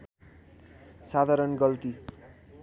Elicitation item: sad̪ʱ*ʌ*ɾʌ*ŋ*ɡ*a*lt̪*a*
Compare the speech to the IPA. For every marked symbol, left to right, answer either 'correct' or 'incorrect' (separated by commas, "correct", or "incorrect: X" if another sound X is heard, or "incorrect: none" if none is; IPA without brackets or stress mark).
incorrect: a, incorrect: n, incorrect: ʌ, incorrect: i